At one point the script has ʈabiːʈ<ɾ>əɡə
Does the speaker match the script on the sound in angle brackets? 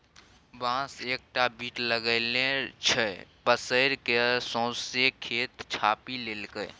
no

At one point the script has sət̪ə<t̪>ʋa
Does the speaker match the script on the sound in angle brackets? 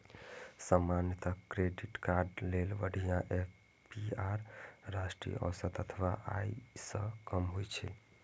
no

